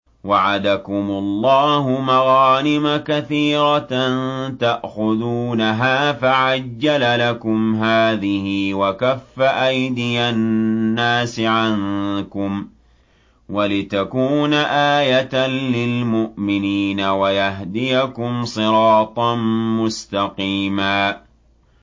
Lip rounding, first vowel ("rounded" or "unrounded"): unrounded